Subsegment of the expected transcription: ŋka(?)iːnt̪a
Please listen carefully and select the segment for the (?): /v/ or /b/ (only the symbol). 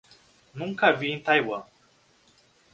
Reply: v